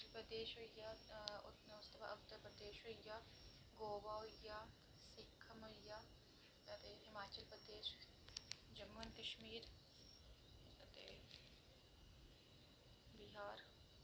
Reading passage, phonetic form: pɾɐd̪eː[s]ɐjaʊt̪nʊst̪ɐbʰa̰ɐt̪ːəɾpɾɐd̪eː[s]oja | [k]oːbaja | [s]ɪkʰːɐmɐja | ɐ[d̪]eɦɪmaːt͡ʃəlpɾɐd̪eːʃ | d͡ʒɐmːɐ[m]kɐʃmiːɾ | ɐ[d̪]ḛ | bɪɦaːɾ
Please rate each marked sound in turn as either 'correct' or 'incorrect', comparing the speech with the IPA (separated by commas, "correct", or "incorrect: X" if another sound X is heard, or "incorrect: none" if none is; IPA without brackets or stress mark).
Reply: incorrect: ʃ, incorrect: ʃ, incorrect: ɡ, correct, incorrect: t̪, incorrect: n, incorrect: t̪